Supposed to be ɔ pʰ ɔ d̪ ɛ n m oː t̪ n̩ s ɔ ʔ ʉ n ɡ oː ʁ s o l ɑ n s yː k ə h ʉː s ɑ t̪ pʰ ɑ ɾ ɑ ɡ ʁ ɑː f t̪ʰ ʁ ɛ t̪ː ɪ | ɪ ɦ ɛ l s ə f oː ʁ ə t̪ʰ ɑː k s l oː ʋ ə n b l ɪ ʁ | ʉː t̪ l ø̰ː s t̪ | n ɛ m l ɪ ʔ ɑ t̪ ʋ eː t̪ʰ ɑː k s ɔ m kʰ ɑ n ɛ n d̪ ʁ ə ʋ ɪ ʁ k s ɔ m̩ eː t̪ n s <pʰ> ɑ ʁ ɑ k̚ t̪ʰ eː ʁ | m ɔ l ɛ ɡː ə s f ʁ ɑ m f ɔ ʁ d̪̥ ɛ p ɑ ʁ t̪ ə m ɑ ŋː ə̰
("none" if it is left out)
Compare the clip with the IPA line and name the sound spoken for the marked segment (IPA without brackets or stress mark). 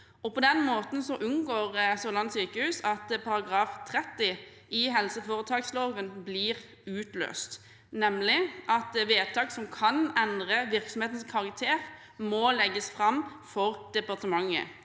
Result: kʰ